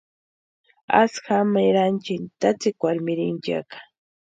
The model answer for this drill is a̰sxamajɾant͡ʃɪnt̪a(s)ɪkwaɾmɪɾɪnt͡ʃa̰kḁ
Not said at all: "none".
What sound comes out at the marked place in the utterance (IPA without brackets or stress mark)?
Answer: t͡s